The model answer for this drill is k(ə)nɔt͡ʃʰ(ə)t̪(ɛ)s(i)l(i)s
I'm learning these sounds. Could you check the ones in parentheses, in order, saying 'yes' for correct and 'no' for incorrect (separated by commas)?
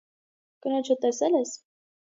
yes, yes, yes, no, no